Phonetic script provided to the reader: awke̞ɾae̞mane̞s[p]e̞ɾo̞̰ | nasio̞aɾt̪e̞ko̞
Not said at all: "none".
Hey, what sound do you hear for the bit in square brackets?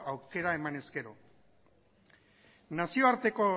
k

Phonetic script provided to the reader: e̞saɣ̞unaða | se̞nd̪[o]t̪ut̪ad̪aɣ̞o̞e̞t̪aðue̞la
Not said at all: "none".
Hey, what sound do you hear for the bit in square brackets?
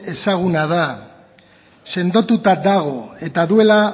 o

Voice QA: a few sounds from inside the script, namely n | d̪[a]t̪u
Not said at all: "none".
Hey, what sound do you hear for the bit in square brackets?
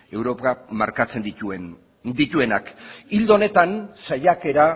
i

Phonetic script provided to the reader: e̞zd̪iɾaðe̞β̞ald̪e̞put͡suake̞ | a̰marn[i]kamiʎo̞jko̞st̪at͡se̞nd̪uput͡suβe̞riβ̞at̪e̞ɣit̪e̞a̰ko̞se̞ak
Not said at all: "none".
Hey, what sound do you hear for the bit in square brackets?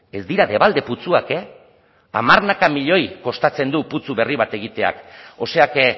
a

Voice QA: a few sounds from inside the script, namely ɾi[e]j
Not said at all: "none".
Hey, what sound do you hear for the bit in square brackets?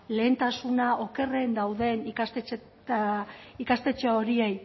e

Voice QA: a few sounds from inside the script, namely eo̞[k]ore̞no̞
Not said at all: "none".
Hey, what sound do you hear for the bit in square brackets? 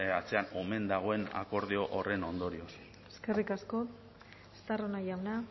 ʔ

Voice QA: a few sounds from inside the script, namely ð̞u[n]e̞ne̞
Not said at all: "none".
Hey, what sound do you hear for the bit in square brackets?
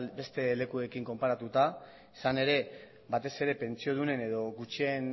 n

